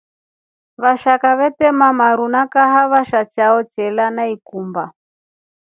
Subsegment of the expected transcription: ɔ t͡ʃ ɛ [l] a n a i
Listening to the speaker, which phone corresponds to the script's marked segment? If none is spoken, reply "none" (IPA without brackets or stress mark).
l